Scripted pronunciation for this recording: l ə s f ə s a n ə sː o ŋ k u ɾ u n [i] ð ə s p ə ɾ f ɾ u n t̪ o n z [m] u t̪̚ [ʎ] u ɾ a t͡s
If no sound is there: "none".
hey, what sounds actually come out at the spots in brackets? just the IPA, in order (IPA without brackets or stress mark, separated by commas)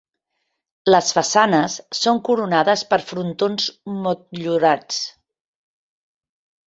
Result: a, m, ʎ